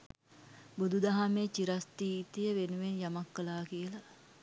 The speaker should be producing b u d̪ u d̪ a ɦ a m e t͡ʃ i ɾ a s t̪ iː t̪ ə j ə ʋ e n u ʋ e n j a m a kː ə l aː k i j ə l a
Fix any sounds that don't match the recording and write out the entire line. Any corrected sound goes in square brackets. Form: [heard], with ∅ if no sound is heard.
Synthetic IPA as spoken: b u d̪ u d̪ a ɦ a m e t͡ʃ i ɾ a s t̪ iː t̪ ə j ə ʋ e n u ʋ e n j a m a kː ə l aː k i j ə l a